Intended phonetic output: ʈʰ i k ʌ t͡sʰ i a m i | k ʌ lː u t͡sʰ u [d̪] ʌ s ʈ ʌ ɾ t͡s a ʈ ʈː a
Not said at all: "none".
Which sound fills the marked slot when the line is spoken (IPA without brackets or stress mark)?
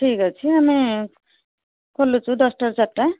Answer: d̪